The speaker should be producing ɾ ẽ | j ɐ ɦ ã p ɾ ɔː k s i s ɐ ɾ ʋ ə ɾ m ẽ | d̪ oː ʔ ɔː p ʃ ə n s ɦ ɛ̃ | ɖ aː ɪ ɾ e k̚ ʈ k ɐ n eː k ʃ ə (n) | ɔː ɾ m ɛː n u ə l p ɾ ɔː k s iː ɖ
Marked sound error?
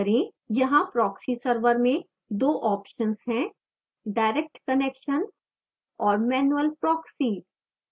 no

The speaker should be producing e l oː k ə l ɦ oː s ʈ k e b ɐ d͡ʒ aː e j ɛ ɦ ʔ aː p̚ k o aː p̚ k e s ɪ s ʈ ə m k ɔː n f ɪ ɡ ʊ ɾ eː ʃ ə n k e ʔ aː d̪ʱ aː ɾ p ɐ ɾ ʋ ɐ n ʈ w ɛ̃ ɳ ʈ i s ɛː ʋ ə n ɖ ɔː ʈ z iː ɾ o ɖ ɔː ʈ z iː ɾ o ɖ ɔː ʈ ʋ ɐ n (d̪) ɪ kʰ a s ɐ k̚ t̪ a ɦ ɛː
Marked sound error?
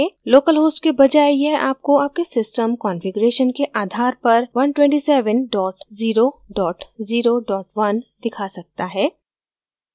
no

